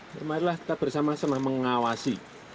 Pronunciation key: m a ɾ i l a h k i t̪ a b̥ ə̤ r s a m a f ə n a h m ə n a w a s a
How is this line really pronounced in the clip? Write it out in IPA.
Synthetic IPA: m a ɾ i l a h k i t̪ a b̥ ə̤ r s a m a s ə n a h m ə ŋ a w a s i